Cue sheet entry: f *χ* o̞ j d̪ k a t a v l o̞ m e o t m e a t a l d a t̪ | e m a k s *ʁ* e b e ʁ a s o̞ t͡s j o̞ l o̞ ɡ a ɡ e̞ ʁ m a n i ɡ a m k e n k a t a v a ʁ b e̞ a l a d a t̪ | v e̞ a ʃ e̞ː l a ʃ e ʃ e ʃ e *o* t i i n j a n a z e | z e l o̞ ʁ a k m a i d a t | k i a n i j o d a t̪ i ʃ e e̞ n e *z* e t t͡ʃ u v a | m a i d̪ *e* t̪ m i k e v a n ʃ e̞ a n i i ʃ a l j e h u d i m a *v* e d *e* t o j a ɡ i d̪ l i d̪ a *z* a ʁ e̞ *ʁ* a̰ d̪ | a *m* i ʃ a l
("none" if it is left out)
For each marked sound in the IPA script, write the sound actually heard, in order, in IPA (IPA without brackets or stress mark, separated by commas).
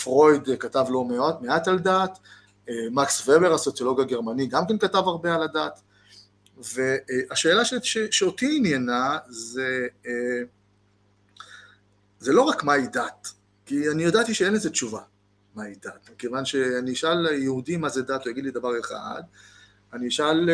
ʁ, v, o, z, a, z, a, v, χ, n